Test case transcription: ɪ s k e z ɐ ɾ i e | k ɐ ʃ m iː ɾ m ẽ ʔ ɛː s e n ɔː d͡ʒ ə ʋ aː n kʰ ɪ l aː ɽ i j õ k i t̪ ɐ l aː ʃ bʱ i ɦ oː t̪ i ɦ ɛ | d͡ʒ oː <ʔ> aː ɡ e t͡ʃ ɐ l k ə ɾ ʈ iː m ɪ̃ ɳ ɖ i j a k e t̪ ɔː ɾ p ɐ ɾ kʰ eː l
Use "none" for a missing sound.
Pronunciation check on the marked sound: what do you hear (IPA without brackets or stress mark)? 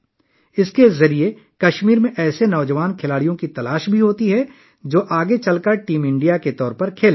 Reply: ʔ